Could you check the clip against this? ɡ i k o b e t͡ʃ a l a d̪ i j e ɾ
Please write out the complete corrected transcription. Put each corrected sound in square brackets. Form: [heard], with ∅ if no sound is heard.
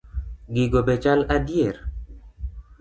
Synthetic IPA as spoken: ɡ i [ɡ] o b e t͡ʃ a l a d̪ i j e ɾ